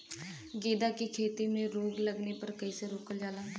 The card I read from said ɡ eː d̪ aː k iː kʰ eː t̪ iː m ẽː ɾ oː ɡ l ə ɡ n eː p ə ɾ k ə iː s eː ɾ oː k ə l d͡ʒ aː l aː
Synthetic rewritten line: ɡ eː d̪ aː k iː kʰ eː t̪ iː m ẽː ɾ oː ɡ l ə ɡ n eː p ə ɾ k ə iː s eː ɾ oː k ə l d͡ʒ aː l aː